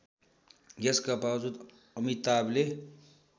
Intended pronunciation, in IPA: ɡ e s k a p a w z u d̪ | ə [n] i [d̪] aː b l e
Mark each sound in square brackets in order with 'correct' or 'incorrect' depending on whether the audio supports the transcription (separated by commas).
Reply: incorrect, incorrect